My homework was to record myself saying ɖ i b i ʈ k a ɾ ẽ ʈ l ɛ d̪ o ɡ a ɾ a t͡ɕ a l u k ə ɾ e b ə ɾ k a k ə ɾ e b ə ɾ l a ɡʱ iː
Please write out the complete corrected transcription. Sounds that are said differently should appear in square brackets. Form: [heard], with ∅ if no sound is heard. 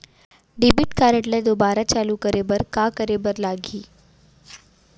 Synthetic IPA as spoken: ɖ i b i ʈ k a ɾ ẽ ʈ l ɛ d̪ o [b] a ɾ a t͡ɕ a l u k ə ɾ e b ə ɾ k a k ə ɾ e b ə ɾ l a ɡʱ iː